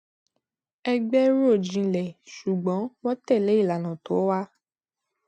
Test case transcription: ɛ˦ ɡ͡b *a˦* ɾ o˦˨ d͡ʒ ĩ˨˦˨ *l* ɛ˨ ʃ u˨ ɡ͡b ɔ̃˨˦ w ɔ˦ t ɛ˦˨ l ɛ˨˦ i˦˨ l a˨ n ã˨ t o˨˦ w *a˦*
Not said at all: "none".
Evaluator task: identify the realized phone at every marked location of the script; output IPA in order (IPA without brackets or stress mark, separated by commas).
ɛ˦, l, a˦